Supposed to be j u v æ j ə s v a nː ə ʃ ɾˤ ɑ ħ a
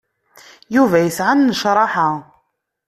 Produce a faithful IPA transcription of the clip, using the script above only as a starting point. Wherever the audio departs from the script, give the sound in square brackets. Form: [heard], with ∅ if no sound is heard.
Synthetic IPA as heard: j u v æ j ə s [ʕ] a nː ə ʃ ɾˤ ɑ ħ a